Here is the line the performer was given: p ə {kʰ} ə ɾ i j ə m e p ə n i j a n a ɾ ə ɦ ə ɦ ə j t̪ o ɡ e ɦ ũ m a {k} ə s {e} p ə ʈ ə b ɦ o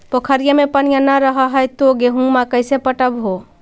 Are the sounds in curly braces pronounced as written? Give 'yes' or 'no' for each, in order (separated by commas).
yes, yes, yes